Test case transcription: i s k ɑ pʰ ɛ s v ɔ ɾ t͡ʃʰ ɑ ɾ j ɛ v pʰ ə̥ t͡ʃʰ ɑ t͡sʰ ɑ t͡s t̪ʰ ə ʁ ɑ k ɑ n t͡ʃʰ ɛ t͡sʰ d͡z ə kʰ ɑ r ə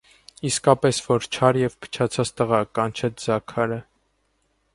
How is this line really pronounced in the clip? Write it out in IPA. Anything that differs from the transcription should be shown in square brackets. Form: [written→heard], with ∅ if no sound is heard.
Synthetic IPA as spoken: i s k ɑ [pʰ→p] ɛ s v ɔ ɾ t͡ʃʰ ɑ ɾ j ɛ v pʰ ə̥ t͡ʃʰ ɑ t͡sʰ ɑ t͡s [t̪ʰ→t̪] ə ʁ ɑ k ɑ n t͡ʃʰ ɛ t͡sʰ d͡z [ə→ɑ] kʰ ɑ [r→ɾ] ə